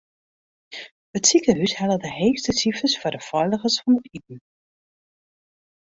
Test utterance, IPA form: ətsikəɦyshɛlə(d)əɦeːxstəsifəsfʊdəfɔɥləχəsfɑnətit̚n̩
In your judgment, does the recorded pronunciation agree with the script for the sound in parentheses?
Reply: yes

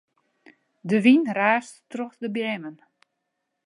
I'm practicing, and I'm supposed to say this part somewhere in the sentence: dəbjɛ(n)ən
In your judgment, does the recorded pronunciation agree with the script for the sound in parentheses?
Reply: no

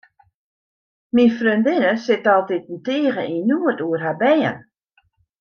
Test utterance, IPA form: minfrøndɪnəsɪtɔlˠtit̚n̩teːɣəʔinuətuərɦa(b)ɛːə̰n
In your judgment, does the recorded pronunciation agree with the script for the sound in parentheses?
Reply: yes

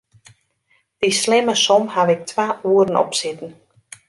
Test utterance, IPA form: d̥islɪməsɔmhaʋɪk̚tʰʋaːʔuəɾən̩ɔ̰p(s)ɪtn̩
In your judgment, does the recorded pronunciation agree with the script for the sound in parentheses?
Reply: yes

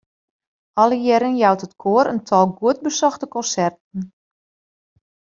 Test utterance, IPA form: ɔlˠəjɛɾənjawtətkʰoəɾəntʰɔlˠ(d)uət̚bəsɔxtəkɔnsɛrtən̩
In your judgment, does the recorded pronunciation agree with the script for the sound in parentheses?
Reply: no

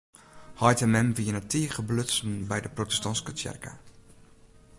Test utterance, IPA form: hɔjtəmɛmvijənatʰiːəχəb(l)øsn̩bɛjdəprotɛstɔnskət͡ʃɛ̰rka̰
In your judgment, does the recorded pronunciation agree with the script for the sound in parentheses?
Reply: yes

